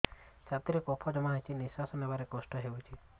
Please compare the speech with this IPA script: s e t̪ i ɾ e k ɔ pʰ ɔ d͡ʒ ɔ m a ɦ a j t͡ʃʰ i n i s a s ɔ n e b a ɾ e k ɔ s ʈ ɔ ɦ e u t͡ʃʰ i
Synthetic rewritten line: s a t̪ i ɾ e k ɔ pʰ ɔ d͡ʒ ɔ m a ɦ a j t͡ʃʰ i n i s a s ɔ n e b a ɾ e k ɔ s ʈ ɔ ɦ e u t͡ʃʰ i